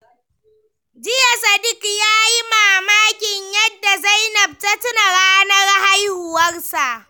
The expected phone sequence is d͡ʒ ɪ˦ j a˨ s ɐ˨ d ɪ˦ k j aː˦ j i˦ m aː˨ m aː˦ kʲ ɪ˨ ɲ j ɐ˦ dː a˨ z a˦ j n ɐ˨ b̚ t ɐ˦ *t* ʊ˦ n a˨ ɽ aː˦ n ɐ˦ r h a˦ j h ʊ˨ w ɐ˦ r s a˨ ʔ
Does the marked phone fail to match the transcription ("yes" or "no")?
no